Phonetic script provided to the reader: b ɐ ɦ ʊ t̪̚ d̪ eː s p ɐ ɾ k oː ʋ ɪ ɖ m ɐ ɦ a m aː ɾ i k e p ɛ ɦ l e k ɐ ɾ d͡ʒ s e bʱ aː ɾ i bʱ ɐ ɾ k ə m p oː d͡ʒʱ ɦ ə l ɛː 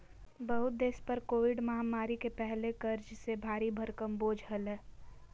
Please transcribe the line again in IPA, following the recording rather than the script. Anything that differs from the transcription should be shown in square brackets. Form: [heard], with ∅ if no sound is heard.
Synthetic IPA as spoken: b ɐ ɦ ʊ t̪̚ d̪ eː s p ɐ ɾ k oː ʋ ɪ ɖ m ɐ ɦ a m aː ɾ i k e p ɛ ɦ l e k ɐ ɾ d͡ʒ s e bʱ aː ɾ i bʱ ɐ ɾ k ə m [b] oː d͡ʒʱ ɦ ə l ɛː